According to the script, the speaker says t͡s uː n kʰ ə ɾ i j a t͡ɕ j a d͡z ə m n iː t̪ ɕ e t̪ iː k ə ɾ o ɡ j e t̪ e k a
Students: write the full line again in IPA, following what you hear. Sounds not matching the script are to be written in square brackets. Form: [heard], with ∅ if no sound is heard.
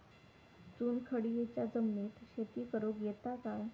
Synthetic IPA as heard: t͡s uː n kʰ ə [ɽ] i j [e] t͡ɕ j a d͡z ə m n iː t̪ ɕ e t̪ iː k ə ɾ o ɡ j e t̪ [a] k a

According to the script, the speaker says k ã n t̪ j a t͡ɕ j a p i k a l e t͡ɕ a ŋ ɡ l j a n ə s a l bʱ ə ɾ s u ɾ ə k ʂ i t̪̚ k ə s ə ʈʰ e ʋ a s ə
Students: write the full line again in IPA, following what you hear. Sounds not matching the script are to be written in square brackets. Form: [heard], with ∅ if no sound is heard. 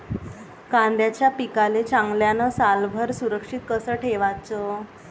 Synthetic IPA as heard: k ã n [d̪] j a t͡ɕ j a p i k a l e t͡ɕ a ŋ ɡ l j a n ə s a l bʱ ə ɾ s u ɾ ə k ʂ i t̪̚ k ə s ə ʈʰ e ʋ a [t͡s] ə

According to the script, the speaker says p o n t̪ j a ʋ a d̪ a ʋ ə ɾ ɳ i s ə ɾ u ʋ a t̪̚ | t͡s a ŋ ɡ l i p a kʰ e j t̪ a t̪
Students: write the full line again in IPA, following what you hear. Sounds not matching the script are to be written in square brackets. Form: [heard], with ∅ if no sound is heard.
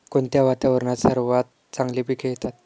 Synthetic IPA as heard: [k] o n t̪ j a ʋ a [t̪] a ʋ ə ɾ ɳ [a] s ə ɾ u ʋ a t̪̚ | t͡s a ŋ ɡ l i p [i] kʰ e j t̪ a t̪

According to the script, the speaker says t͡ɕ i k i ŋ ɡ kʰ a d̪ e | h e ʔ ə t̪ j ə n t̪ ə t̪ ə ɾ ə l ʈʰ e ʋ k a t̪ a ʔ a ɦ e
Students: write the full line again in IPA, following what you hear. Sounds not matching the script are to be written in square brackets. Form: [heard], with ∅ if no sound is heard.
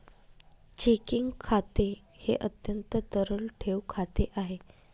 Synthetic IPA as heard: t͡ɕ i k i ŋ ɡ kʰ a [t̪] e | h e ʔ ə t̪ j ə n t̪ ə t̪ ə ɾ ə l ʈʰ e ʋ [kʰ] a t̪ [e] ʔ a ɦ e

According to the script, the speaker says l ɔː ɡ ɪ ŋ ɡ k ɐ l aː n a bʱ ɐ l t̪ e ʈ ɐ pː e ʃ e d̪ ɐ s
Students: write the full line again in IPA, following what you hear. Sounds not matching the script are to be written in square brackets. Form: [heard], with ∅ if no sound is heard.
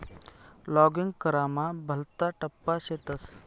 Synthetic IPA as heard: l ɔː ɡ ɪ ŋ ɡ k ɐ [ɾ] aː [m] a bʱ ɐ l t̪ [a] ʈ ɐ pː [a] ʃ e [t̪] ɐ s

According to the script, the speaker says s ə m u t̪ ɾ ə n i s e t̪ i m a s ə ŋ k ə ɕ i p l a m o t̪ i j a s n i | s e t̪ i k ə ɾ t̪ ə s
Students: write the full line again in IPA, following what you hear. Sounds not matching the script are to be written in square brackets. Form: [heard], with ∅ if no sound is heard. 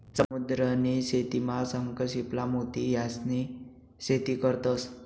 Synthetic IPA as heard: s ə m u [d̪] ɾ ə n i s e t̪ i m a s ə ŋ k ə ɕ i p l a m o t̪ i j a s n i | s e t̪ i k ə ɾ t̪ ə s

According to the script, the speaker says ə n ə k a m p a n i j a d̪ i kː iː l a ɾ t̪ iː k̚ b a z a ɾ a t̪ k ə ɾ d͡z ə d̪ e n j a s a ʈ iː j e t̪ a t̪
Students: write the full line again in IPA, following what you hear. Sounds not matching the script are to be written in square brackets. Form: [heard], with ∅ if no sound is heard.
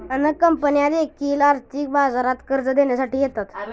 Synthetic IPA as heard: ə n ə k [ə] m p [ə] n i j a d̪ [e] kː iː l a ɾ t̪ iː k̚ b a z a ɾ a t̪ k ə ɾ d͡z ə d̪ e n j a s a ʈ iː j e t̪ a t̪

